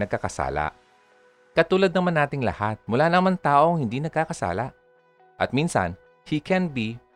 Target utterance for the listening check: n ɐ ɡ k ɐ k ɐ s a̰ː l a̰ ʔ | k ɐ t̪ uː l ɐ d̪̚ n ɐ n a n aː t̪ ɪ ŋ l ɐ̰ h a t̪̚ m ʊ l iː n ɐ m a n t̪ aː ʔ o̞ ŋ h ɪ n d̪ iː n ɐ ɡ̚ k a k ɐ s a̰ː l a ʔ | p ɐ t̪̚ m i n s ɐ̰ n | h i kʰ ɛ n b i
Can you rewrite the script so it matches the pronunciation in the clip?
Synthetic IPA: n ɐ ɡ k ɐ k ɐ s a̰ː l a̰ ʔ | k ɐ t̪ uː l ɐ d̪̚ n ɐ m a n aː t̪ ɪ ŋ l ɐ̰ h a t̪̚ m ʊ l aː n ɐ m a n t̪ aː ʔ o̞ ŋ h ɪ n d̪ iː n ɐ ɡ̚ k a k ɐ s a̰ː l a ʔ | ʔ ɐ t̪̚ m i n s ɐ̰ n | h i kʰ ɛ n b i